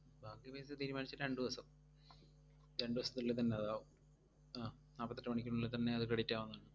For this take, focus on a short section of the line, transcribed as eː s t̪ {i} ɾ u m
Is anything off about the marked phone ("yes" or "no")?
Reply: yes